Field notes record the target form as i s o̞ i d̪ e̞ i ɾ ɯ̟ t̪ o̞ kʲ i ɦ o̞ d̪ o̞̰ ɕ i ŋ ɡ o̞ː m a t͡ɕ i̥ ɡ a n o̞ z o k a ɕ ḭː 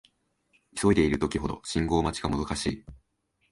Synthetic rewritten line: i s o̞ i d̪ e̞ i ɾ ɯ̟ t̪ o̞ kʲ i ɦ o̞ d̪ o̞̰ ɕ ĩ ŋ ɡ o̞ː m a t͡ɕ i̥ ɡ a m o̞ z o k a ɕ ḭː